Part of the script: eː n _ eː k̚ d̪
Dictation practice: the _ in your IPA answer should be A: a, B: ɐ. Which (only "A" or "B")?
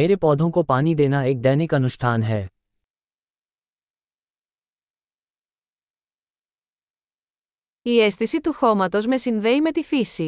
A